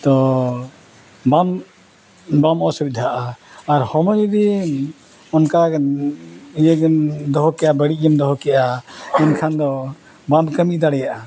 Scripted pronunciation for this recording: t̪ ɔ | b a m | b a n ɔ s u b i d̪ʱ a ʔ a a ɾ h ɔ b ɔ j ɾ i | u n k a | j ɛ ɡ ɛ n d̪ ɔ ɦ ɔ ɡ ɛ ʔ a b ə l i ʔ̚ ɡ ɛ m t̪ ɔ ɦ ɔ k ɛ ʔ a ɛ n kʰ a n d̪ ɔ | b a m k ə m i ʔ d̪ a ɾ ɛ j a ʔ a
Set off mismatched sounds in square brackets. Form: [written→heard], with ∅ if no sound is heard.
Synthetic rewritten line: t̪ ɔ | b a m | b a [n→m] ɔ s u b i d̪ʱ a ʔ a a ɾ h ɔ [b→m] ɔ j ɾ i | [u→ɔ] n k a | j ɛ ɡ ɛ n d̪ ɔ ɦ ɔ [ɡ→k] ɛ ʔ a b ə [l→ɽ] i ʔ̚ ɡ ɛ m [t̪→d̪] ɔ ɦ ɔ k ɛ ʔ a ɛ n kʰ a n d̪ ɔ | b a m k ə m i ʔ d̪ a [ɾ→ɽ] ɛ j a ʔ a